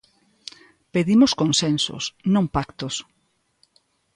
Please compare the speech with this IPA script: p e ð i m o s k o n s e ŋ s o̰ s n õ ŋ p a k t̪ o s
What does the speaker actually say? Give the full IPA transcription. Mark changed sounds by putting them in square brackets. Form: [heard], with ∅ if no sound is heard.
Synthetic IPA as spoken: p e ð i m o s k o n s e [n] s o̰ s n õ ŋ p a k t̪ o s